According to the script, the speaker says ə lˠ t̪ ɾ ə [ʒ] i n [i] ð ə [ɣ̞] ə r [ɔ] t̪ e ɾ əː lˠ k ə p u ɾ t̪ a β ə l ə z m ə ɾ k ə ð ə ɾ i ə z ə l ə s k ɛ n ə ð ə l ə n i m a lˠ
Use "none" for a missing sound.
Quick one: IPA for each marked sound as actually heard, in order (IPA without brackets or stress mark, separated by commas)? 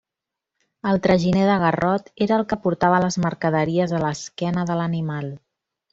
ʒ, e, ɣ̞, ɔ